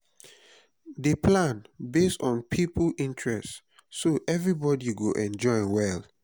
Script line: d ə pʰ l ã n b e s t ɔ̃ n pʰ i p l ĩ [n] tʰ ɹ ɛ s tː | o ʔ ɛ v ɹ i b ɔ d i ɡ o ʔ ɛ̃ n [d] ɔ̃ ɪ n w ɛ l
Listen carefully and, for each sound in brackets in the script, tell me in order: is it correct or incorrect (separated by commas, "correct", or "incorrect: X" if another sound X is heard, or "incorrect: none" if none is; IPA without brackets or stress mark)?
correct, incorrect: d͡ʒ